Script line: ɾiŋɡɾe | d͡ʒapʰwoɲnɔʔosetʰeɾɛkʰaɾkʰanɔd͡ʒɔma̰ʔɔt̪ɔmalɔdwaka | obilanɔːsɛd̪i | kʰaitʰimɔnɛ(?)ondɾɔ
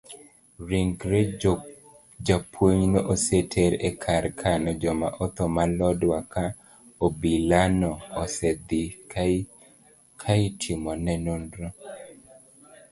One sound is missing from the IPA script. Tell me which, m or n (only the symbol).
n